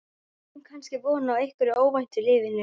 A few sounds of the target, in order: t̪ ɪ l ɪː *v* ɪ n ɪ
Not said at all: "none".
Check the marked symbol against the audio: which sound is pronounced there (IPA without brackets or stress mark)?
v